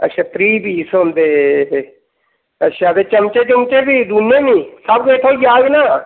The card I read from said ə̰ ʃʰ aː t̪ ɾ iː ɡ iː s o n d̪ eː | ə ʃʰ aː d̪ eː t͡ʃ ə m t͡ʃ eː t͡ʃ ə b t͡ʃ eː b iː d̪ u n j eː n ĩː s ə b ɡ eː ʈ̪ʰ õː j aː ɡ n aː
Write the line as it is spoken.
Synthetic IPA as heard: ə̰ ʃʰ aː t̪ ɾ iː b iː s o n d̪ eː | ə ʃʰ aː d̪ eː t͡ʃ ə m t͡ʃ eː t͡ʃ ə m t͡ʃ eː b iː d̪ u n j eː n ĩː s ə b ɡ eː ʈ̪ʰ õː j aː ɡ n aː